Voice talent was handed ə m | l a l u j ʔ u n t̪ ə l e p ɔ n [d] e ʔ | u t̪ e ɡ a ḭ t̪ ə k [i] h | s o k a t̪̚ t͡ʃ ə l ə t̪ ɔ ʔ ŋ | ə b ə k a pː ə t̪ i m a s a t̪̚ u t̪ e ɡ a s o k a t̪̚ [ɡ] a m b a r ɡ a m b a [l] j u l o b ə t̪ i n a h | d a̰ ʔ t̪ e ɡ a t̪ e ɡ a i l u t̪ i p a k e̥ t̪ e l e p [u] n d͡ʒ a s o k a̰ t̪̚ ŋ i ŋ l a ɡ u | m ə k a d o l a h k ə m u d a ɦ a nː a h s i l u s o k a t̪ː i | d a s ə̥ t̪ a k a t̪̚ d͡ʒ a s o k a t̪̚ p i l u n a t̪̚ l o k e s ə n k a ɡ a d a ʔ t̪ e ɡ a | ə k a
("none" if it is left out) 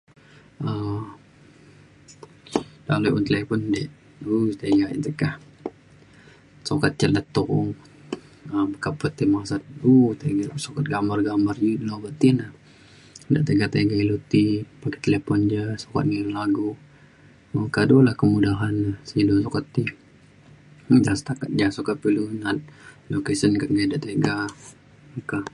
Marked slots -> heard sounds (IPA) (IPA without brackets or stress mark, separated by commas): d, a, ɡ, r, ɔ